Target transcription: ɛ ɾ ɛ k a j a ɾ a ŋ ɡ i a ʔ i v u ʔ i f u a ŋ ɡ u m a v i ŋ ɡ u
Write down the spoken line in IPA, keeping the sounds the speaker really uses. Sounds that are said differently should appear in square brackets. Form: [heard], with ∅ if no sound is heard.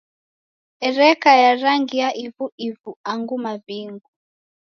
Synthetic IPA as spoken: ɛ ɾ ɛ k a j a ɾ a ŋ ɡ i a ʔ i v u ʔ i [v] u a ŋ ɡ u m a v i ŋ ɡ u